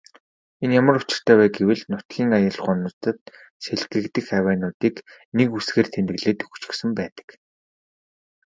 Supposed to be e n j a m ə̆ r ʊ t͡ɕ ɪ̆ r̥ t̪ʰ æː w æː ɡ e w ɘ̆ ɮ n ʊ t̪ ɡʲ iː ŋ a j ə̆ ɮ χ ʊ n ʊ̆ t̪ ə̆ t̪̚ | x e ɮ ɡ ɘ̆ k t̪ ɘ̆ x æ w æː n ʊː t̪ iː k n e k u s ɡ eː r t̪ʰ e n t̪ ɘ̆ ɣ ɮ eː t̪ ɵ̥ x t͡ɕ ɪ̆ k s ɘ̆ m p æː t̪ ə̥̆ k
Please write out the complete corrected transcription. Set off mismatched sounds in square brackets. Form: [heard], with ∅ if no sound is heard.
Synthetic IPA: e n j a m ə̆ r ʊ t͡ɕ ɪ̆ r̥ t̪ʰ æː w æː ɡ e w ɘ̆ ɮ n ʊ t̪ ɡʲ iː ŋ a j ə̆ ɮ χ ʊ n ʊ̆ t̪ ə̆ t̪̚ | [s] e ɮ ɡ ɘ̆ k t̪ ɘ̆ x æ w æː n ʊː t̪ iː k n e k u s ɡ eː r t̪ʰ e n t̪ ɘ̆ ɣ ɮ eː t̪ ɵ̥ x t͡ɕ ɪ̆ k s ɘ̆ m p æː t̪ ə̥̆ k